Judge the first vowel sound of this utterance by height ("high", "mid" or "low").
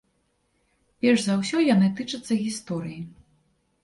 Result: mid